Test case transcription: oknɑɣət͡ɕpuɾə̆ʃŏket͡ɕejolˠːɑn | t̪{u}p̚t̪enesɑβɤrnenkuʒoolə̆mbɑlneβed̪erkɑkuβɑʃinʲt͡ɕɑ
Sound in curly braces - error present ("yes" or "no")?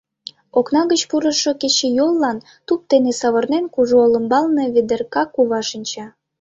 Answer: no